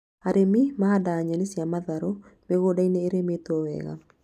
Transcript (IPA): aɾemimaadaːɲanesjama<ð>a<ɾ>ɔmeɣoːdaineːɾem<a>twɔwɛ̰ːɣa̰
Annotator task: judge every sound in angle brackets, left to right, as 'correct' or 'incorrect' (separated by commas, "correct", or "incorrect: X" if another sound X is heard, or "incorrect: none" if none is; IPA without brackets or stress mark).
correct, correct, incorrect: e